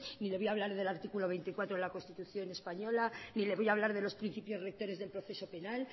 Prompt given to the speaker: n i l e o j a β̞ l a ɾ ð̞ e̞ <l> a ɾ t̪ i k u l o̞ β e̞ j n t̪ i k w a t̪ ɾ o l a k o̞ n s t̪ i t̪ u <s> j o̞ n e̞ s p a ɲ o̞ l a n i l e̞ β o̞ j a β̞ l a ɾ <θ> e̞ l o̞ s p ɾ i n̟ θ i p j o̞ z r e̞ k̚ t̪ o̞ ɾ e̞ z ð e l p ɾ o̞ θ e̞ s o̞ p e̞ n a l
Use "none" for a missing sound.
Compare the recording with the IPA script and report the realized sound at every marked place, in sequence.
l, θ, ð

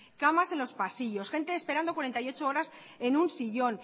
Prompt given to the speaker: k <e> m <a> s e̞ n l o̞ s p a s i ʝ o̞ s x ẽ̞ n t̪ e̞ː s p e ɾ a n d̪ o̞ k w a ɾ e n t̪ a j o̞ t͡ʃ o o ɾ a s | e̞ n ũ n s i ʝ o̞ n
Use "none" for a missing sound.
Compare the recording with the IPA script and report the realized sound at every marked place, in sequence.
a, a

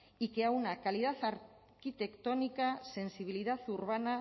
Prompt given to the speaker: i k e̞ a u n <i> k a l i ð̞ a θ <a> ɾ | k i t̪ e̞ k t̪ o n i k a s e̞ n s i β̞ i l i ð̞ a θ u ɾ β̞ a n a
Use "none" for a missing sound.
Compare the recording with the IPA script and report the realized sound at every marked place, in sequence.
a, a

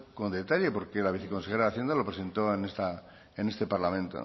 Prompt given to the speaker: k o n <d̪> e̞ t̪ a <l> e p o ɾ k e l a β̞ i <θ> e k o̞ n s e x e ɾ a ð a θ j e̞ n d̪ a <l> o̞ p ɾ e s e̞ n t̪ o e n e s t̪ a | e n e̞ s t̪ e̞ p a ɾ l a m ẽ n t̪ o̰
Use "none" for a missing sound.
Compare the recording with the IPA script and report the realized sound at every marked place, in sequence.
d̪, ʎ, θ, l

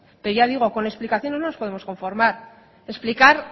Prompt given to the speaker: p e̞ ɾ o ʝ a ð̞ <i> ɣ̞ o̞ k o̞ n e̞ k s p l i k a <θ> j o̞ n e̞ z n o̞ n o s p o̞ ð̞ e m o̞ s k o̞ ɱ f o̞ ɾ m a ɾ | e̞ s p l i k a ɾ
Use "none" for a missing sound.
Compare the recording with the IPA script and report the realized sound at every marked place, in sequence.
i, θ

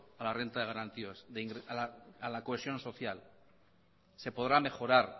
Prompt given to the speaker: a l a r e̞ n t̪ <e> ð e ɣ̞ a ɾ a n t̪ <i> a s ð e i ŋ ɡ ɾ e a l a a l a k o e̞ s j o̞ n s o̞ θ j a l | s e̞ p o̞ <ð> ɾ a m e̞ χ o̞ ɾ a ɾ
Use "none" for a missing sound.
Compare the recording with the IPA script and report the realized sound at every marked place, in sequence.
a, i, ð

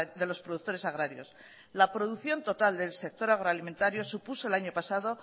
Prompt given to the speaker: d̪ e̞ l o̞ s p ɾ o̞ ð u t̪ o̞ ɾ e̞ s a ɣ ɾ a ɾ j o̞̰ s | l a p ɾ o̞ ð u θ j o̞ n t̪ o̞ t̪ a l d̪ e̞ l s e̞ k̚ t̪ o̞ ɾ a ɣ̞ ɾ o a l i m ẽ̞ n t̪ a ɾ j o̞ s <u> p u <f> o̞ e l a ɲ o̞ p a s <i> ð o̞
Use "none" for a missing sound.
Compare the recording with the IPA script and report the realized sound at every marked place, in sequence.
u, s, a

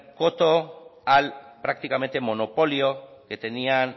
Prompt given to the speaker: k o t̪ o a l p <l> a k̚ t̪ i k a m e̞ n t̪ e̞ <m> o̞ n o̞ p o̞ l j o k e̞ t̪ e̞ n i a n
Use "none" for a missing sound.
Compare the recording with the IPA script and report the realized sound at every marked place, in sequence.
ɾ, m

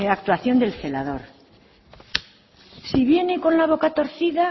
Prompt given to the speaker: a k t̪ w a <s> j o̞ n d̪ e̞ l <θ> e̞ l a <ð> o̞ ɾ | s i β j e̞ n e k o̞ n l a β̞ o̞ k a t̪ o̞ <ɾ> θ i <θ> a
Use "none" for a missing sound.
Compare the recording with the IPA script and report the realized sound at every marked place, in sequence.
θ, θ, ð, ɾ, ð

